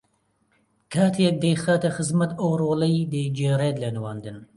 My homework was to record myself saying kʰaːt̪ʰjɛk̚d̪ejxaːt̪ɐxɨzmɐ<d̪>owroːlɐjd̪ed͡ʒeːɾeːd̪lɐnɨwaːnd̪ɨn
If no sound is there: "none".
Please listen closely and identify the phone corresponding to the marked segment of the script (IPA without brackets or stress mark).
t̪